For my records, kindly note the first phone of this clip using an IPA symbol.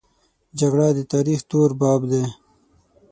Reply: d͡ʒ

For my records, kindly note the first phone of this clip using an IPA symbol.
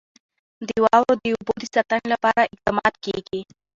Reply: d̪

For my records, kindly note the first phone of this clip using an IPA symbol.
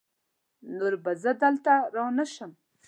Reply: n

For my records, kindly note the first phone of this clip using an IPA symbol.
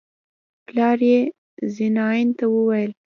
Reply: p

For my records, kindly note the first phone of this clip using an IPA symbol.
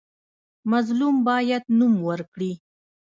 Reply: m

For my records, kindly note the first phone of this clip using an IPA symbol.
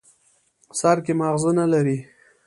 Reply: s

